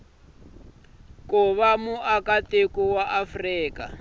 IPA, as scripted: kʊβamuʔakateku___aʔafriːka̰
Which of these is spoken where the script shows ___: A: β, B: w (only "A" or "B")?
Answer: B